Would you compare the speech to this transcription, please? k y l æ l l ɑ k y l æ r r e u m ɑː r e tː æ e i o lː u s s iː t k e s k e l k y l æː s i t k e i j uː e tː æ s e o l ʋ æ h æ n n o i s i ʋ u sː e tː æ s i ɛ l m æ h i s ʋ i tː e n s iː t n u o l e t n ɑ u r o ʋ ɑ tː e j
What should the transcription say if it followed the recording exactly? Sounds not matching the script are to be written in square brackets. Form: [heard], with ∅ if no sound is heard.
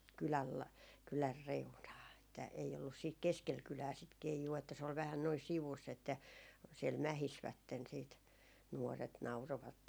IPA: k y l æ l l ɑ k y l æ r r e u [n] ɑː [∅] e tː æ e i o lː u s s iː t k e s k e l k y l æː s i t k e i j uː e tː æ s e o l ʋ æ h æ n n o i s i ʋ u sː e tː æ s i ɛ l m æ h i s ʋ [æ] tː e n s iː t n u o [r] e t n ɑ u r o ʋ ɑ tː e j